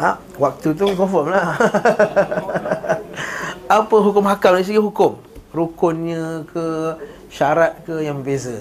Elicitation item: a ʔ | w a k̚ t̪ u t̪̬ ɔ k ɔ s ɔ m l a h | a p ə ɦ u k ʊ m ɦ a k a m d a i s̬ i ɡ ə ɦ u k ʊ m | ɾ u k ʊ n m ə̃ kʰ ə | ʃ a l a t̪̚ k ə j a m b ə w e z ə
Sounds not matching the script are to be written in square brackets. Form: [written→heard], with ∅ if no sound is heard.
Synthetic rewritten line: a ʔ | w a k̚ t̪ u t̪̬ [ɔ→u] k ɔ [s→f] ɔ m l a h | a p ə ɦ u k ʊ m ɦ a k a m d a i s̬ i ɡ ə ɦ u k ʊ m | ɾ u k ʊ n [m→ɲ] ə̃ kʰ ə | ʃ a [l→ɾ] a t̪̚ k ə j a [m→ŋ] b ə [w→b] e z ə